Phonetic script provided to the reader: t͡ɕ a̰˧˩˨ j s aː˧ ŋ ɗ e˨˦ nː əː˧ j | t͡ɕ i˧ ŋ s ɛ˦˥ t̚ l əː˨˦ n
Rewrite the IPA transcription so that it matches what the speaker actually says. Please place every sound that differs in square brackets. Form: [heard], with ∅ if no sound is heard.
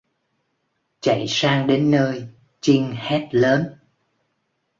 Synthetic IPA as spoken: t͡ɕ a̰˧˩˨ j s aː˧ ŋ ɗ e˨˦ nː əː˧ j | t͡ɕ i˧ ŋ [h] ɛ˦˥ t̚ l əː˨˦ n